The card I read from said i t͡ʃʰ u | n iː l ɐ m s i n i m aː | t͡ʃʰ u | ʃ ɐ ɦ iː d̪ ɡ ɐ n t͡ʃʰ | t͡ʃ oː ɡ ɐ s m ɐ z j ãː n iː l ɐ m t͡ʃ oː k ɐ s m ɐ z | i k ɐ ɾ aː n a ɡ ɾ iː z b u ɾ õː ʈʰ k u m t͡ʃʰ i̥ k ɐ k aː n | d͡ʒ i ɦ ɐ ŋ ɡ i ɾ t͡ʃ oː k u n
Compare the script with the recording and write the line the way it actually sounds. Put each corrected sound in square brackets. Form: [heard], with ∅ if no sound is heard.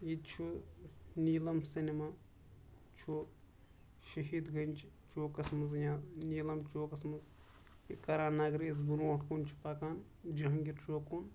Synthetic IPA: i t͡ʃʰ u | n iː l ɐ m s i n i m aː | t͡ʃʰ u | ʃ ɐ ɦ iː d̪ ɡ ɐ n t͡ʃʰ | t͡ʃ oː [k] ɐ s m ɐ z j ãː n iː l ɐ m t͡ʃ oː k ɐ s m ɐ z | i k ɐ ɾ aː n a ɡ ɾ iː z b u ɾ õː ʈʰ k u [n] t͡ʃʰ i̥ [p] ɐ k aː n | d͡ʒ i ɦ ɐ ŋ ɡ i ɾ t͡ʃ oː k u n